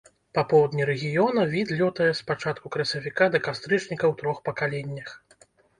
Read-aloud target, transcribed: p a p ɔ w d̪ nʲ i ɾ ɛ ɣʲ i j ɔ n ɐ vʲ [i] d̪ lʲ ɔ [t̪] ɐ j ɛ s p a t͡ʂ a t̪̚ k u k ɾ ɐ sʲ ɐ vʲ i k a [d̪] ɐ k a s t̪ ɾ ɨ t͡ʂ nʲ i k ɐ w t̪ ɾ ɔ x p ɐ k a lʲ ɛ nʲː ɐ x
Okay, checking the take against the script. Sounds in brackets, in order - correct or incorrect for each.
correct, correct, correct

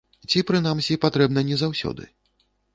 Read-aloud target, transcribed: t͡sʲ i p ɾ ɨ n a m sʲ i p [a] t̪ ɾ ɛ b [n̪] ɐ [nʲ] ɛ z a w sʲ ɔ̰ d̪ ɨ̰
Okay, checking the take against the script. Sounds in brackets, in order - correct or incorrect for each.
correct, correct, correct

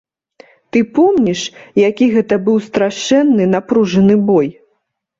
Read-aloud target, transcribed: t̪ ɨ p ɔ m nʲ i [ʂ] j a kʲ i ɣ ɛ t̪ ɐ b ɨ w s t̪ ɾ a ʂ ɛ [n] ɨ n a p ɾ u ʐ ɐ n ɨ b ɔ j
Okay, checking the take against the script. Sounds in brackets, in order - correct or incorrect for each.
correct, incorrect: nː

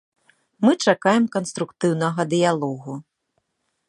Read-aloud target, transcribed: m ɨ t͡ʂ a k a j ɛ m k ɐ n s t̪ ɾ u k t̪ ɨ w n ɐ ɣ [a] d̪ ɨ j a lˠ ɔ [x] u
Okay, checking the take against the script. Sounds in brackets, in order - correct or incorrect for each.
incorrect: ɐ, incorrect: ɣ

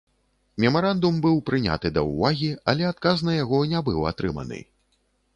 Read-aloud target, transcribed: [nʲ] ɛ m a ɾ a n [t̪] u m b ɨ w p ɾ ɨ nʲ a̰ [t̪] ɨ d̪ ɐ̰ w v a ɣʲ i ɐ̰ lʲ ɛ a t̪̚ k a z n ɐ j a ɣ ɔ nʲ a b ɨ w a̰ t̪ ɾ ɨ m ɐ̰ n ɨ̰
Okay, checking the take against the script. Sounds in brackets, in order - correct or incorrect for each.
incorrect: mʲ, incorrect: d̪, correct

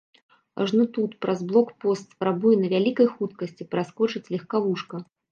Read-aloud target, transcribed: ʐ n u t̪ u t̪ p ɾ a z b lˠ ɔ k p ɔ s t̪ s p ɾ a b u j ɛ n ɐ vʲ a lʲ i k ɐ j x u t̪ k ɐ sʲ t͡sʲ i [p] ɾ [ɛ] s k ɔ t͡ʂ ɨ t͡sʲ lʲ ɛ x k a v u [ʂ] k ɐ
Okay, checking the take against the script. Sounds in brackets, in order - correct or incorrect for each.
correct, incorrect: a, correct

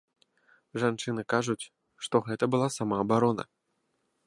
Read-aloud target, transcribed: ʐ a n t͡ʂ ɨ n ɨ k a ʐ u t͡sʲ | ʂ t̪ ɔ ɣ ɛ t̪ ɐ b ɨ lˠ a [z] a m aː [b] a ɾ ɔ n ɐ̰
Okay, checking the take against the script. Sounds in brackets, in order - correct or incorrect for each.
incorrect: s, correct

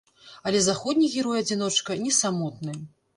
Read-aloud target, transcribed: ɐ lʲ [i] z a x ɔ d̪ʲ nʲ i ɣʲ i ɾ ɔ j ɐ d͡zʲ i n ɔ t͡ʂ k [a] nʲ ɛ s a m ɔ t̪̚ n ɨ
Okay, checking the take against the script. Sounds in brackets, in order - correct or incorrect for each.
incorrect: ɛ, incorrect: ɐ

